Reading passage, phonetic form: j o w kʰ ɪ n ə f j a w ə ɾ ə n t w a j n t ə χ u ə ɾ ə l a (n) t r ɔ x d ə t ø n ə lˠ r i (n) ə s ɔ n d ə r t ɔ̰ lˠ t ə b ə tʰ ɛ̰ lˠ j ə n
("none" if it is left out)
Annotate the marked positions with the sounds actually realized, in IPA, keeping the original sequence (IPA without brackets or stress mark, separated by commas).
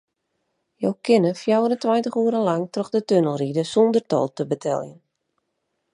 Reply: ŋ, d